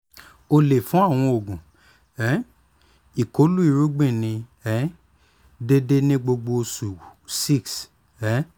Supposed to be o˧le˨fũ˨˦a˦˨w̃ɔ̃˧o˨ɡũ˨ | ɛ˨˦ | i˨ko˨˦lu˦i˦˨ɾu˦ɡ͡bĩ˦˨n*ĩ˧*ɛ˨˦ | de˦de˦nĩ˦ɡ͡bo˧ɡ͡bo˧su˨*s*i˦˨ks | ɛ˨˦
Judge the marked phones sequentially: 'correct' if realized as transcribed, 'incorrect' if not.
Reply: correct, correct

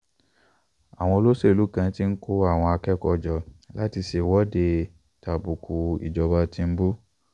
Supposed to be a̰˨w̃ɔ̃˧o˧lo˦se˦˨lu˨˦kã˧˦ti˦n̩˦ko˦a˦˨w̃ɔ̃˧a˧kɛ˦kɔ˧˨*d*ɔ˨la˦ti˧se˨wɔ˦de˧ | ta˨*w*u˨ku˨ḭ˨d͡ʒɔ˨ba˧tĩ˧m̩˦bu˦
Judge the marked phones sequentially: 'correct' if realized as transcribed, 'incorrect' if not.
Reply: incorrect: d͡ʒ, incorrect: b

